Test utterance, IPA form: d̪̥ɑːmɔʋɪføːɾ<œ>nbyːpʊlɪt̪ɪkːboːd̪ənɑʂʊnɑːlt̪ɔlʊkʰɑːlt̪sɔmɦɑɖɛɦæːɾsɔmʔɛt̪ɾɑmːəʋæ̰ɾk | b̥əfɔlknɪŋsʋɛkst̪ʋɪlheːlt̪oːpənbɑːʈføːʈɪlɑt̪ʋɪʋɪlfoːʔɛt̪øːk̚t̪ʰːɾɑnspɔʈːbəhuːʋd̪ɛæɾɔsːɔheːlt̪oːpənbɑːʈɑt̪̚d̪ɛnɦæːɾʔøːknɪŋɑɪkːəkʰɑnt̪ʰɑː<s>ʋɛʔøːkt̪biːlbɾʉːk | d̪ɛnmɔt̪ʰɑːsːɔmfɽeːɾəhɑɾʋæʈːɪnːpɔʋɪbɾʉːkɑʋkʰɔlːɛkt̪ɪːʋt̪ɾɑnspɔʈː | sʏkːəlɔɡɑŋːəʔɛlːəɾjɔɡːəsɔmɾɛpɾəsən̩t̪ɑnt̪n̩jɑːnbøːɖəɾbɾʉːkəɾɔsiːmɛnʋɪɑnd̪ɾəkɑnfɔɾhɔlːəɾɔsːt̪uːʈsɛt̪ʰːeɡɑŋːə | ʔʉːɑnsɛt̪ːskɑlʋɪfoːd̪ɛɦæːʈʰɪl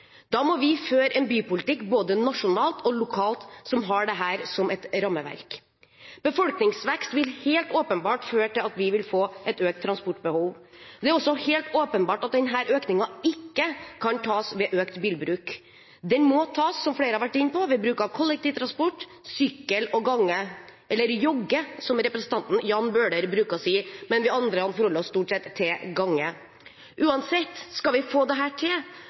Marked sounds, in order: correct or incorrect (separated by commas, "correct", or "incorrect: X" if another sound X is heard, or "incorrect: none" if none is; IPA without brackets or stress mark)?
incorrect: ɛ, correct